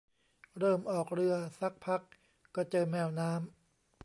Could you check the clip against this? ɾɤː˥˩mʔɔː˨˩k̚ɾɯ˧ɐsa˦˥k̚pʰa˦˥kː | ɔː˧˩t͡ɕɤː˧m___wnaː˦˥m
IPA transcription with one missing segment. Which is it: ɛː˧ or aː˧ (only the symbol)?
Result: ɛː˧